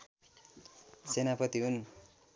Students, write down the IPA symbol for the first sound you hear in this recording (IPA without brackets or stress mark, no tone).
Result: s